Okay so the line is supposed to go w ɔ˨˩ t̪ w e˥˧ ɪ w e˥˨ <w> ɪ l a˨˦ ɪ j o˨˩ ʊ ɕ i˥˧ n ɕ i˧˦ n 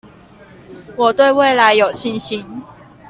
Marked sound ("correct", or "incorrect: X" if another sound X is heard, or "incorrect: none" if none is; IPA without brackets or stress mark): incorrect: none